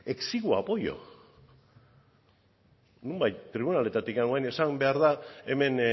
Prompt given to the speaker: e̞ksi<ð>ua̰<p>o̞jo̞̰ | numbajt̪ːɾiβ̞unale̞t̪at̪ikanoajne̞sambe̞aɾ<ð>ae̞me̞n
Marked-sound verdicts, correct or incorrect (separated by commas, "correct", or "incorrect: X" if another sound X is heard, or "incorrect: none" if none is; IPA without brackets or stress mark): incorrect: ɣ, correct, correct